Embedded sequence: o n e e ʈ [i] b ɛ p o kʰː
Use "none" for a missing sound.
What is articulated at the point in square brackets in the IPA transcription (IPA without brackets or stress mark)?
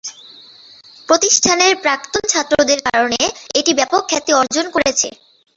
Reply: i